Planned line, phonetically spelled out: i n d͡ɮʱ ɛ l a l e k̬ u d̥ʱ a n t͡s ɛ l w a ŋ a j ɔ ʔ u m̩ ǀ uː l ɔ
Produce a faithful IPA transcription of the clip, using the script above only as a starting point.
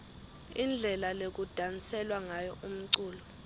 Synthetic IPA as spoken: i n d͡ɮʱ ɛ l a l e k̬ u d̥ʱ a n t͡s ɛ l w a ŋ a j ɔ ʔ u m̩ ǀ uː l ɔ